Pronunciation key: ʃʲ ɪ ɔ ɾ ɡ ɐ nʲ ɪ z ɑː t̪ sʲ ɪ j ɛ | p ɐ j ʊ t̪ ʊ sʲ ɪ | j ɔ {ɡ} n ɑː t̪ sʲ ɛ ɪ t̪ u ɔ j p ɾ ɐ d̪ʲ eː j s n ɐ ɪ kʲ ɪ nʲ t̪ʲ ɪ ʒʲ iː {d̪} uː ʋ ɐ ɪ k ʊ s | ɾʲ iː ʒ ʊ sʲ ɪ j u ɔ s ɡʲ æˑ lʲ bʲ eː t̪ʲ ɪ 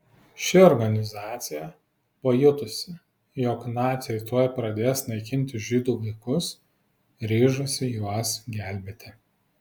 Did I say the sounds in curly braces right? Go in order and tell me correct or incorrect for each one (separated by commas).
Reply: incorrect, correct